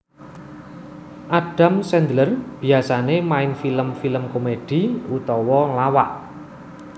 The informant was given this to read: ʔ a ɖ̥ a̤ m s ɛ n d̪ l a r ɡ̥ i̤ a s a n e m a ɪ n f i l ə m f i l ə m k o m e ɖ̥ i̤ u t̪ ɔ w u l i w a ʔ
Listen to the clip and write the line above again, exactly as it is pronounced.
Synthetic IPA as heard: ʔ a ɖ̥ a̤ m s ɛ n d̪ l ə r b̥ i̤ a s a n e m a ɪ n f i l ə m f i l ə m k o m e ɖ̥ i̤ u t̪ ɔ w ɔ l a w a ʔ